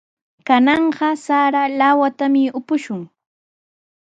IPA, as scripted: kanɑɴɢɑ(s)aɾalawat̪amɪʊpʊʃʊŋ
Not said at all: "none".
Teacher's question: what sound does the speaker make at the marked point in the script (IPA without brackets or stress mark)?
s